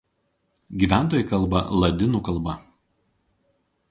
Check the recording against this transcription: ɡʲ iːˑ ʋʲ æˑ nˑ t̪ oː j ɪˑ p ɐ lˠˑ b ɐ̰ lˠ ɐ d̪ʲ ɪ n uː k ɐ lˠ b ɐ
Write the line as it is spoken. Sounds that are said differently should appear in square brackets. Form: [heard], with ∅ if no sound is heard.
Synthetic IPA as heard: ɡʲ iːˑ ʋʲ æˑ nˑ t̪ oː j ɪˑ [k] ɐ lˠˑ b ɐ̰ lˠ ɐ d̪ʲ ɪ n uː k ɐ lˠ b ɐ